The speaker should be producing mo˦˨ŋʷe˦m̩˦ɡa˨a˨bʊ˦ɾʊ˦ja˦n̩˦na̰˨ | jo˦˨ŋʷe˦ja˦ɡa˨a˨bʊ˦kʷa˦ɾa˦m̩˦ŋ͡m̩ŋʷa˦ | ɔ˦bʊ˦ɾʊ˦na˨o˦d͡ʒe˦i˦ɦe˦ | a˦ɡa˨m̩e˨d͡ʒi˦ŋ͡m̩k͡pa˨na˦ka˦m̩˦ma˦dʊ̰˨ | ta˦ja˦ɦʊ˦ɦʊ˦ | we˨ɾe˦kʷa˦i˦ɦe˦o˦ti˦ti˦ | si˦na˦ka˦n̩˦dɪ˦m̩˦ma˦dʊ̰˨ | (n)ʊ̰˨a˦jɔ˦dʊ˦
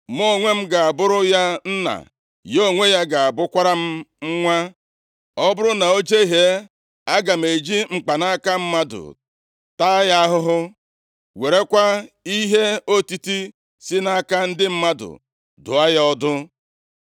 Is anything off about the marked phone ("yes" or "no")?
yes